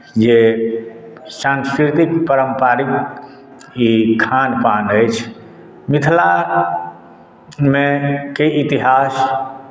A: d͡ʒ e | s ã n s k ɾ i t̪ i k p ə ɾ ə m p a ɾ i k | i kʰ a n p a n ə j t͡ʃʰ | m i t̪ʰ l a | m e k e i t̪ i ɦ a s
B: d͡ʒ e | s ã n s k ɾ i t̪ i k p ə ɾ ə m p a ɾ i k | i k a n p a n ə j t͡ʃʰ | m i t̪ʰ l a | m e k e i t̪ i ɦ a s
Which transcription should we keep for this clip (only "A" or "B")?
A